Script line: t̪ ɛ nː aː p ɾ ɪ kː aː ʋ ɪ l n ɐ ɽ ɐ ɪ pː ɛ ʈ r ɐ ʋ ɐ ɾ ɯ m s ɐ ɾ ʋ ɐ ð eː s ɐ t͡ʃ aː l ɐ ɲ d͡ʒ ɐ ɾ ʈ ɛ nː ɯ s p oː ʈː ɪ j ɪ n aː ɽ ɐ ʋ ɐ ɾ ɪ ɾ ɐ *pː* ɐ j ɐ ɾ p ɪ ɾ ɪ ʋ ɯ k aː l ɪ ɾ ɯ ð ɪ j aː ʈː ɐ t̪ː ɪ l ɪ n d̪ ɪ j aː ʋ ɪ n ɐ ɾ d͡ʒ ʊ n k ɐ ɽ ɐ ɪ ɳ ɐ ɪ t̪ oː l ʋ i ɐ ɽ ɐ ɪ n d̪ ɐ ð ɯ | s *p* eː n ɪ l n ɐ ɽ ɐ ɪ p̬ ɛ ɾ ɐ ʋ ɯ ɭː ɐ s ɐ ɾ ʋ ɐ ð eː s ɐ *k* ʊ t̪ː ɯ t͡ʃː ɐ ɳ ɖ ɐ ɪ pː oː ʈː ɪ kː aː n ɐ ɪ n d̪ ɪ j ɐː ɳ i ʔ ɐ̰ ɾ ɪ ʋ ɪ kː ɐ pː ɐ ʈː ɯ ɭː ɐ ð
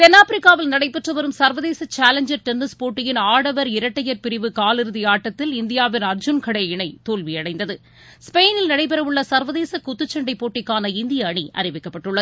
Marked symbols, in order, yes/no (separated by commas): no, yes, yes